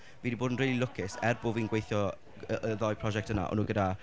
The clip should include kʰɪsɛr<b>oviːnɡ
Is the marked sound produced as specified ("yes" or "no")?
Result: yes